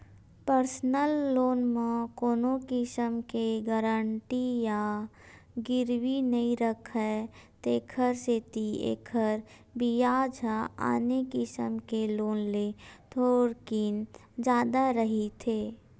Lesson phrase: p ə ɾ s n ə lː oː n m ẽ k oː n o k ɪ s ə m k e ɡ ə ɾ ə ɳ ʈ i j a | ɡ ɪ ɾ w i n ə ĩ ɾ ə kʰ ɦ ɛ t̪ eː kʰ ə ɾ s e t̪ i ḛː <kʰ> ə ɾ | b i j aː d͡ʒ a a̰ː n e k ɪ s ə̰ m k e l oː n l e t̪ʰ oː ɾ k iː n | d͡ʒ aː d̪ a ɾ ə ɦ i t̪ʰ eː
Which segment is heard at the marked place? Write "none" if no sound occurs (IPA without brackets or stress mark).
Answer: kʰ